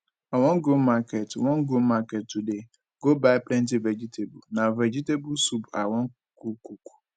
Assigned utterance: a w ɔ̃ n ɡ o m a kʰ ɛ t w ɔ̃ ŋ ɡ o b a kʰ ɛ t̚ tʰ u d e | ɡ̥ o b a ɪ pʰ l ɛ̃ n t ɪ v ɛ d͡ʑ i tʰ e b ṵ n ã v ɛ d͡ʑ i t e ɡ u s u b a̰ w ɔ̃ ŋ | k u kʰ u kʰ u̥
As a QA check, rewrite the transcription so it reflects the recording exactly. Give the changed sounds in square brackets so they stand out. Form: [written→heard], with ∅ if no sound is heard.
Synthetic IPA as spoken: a w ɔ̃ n ɡ o m a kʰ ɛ t w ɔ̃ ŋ ɡ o [b→m] a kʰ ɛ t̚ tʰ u d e | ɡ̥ o b a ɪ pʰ l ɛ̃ n t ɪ v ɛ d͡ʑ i tʰ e b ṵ n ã v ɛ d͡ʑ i t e [ɡ→b] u s u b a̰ w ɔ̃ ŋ | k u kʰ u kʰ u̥

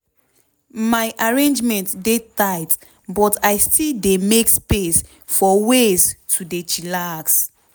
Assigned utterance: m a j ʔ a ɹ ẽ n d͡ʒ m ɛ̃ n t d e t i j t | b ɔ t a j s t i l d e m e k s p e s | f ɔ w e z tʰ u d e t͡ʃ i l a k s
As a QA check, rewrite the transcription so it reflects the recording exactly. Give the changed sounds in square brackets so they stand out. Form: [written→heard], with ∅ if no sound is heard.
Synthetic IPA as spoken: m a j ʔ a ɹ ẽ n d͡ʒ m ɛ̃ n t d e t [i→a] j t | b ɔ t a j s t i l d e m e k s p e s | f ɔ w e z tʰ u d e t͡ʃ i l a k s

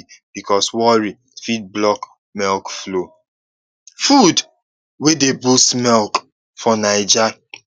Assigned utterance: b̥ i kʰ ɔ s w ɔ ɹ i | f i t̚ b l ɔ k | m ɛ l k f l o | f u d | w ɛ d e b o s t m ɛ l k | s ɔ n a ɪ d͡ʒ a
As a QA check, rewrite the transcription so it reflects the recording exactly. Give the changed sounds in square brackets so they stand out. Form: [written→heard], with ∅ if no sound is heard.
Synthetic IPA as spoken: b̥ i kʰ ɔ s w ɔ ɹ i | f i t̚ b l ɔ k | m ɛ l k f l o | f u d | w [ɛ→e] d e b [o→u] s t m ɛ l k | [s→f] ɔ n a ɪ d͡ʒ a

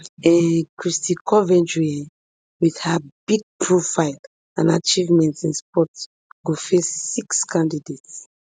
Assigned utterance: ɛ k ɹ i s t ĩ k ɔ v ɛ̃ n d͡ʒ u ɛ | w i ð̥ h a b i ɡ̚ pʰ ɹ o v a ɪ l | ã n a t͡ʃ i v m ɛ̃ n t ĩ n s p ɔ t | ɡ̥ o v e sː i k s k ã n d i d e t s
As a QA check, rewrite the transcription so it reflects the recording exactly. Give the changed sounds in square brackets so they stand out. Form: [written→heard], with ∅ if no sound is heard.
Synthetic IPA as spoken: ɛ k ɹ i s t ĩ k ɔ v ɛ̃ n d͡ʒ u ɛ | w i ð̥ h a b i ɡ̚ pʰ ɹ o [v→f] a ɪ l | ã n a t͡ʃ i v m ɛ̃ n t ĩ n s p ɔ t | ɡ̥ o [v→f] e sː i k s k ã n d i d e t s

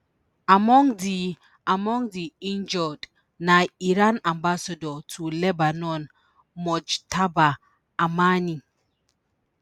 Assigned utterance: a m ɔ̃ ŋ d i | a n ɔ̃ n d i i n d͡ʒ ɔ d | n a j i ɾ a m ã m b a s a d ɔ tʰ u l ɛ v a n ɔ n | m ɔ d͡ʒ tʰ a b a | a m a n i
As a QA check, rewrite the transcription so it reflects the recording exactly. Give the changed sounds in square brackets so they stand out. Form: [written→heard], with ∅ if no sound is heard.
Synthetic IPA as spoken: a m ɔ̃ ŋ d i | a [n→m] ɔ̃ [n→ŋ] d i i n d͡ʒ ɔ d | n a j i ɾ a [m→n] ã m b a s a d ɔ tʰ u l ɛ [v→b] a n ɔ n | m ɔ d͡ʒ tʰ a b a | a m a n i

